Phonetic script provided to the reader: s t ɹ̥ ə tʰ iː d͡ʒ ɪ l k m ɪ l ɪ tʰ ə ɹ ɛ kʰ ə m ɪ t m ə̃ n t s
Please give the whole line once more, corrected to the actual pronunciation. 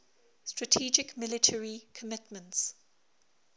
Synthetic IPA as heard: s t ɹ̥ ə tʰ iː d͡ʒ ɪ k m ɪ l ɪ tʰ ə ɹ i kʰ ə m ɪ t m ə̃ n t s